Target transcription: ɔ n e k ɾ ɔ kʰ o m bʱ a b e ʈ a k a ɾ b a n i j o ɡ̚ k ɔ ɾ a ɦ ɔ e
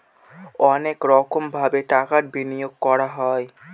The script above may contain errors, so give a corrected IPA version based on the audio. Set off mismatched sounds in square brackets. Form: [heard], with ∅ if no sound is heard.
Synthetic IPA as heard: ɔ n e k ɾ ɔ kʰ o m bʱ a b e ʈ a k a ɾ b [i] n i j o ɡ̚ k ɔ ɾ a ɦ ɔ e

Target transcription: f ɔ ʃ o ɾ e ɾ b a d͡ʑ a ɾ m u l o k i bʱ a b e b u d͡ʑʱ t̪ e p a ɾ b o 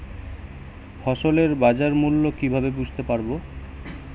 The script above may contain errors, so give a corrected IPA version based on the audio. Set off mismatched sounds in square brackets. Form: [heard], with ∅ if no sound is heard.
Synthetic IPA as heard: f ɔ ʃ o [l] e ɾ b a d͡ʑ a ɾ m u [lː] o k i bʱ a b e b u d͡ʑʱ t̪ e p a ɾ b o

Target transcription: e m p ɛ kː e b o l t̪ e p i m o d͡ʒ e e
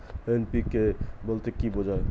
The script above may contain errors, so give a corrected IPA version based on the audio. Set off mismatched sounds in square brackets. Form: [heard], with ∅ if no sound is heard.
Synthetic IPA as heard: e [n] p [i] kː e b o l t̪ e [k] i [b] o d͡ʒ [a] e

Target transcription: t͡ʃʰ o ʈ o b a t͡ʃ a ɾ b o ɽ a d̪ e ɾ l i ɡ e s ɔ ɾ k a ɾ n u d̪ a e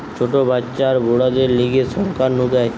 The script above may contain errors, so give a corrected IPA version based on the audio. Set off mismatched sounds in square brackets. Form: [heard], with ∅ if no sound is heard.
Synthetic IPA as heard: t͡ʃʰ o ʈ o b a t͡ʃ a ɾ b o ɽ a d̪ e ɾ l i ɡ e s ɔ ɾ k a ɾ n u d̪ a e

